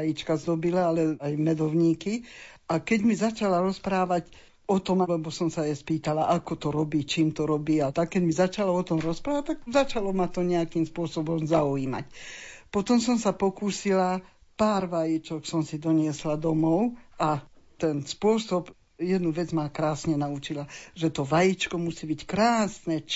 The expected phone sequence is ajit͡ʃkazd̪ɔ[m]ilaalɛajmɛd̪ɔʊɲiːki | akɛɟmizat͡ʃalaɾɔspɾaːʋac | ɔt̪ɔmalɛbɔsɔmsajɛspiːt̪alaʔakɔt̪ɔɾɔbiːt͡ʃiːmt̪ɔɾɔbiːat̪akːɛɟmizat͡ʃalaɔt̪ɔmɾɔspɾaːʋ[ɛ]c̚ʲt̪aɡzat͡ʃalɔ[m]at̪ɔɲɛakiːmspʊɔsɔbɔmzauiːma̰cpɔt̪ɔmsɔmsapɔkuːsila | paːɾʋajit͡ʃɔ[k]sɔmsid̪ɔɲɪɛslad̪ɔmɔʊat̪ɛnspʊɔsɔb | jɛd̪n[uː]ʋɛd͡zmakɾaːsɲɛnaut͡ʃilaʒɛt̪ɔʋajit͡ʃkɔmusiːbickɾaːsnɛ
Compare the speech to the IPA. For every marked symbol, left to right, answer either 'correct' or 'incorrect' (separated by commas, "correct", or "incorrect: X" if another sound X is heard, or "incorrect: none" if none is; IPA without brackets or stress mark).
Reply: incorrect: b, incorrect: a, correct, correct, incorrect: u